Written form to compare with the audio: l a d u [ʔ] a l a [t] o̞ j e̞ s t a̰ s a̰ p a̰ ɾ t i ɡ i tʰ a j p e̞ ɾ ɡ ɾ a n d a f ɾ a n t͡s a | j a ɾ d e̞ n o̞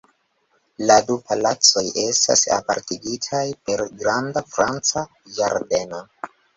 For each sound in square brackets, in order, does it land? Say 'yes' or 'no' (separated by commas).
no, no